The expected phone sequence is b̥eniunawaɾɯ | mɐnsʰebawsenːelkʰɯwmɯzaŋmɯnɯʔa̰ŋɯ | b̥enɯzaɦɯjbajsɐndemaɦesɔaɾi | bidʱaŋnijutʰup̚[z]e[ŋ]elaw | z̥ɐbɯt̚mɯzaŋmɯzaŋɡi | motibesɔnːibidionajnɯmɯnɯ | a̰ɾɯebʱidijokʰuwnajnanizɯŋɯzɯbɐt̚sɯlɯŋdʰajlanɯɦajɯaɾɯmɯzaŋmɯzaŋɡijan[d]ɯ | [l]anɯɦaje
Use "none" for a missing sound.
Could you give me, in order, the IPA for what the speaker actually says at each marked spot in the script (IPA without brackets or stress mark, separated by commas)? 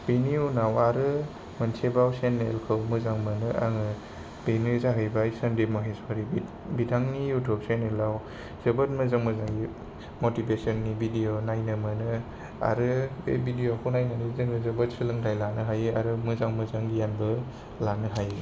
s, n, b, l